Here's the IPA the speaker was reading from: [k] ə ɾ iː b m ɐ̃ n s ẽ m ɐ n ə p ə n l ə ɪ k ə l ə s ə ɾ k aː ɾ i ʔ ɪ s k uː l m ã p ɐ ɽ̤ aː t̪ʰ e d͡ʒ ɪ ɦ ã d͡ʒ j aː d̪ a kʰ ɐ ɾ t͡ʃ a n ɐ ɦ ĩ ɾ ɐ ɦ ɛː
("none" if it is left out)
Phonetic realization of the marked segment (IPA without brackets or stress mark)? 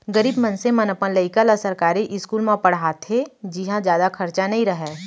ɡ